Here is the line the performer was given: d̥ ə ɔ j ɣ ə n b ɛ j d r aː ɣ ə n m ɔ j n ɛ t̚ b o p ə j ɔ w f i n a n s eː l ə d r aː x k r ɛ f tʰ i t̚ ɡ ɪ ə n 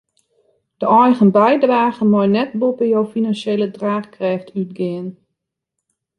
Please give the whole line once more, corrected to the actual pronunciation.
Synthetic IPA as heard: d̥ ə ɔ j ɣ ə n b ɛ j d r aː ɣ ə n m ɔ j n ɛ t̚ b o p ə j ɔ w f i n a n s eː l ə d r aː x k r ɛ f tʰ y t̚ ɡ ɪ ə n